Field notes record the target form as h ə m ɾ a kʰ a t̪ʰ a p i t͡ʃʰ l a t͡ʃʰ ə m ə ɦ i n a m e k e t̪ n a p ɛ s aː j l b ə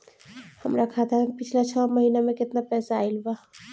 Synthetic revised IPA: h ə m ɾ a kʰ a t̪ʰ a p i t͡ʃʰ l a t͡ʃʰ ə m ə ɦ i n a m e k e t̪ n a p ɛ s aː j l b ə